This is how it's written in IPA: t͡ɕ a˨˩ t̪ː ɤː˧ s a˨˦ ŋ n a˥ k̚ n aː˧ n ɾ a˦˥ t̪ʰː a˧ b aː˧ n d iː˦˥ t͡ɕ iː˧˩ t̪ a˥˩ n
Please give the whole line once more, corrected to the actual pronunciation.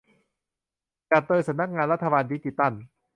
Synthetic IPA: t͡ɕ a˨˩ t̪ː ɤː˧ s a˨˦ m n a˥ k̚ ŋ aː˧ n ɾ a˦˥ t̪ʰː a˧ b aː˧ n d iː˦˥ t͡ɕ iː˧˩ t̪ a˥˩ n